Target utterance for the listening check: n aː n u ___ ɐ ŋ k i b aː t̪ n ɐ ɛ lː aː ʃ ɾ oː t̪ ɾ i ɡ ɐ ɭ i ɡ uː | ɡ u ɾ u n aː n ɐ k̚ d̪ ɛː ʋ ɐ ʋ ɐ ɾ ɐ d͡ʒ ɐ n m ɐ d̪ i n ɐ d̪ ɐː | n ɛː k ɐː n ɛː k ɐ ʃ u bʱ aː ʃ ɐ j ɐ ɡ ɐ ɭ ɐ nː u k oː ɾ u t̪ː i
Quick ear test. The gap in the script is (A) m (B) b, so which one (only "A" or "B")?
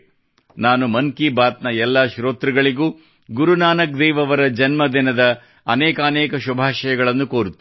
A